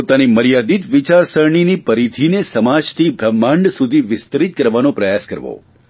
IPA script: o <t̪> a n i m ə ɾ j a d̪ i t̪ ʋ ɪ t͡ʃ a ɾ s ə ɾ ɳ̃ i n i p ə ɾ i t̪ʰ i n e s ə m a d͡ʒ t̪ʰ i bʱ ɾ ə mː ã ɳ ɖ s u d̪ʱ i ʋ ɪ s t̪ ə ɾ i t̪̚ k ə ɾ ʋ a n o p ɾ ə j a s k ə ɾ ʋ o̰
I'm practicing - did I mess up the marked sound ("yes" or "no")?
no